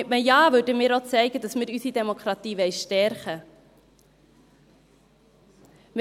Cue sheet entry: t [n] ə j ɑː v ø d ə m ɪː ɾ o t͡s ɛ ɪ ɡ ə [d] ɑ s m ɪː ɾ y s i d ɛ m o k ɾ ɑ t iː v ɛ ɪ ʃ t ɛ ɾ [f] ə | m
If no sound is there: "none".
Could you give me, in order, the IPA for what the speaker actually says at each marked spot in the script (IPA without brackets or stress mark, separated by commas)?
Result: m, d, χ